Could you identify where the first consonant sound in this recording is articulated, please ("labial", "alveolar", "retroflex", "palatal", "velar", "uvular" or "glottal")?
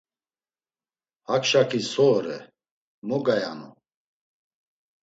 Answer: glottal